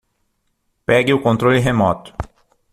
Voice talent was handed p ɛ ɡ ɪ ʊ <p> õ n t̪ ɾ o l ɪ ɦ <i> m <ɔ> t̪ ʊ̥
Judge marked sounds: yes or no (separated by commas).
no, no, yes